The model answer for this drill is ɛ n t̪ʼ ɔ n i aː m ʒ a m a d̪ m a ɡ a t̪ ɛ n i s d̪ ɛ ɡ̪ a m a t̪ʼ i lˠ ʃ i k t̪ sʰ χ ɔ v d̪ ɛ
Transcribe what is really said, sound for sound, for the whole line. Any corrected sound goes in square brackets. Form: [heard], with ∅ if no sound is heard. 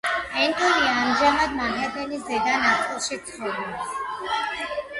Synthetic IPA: ɛ n t̪ʼ ɔ n i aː m ʒ a m a d̪ m a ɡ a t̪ ɛ n i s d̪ ɛ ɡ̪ a [n] a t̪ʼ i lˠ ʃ i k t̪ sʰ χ ɔ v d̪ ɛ